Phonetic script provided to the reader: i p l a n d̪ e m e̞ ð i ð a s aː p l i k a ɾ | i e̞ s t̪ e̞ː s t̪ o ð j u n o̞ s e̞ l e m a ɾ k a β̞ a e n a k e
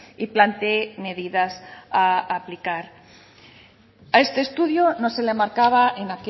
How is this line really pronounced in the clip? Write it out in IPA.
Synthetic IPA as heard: i p l a n t̪ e m e̞ ð i ð a s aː p l i k a ɾ | a e̞ s t̪ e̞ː s t̪ u ð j o n o̞ s e̞ l e m a ɾ k a β̞ a e n a k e